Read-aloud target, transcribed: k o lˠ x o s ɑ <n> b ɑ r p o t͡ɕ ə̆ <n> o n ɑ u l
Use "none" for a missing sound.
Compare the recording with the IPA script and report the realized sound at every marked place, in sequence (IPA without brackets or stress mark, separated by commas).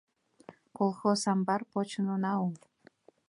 m, n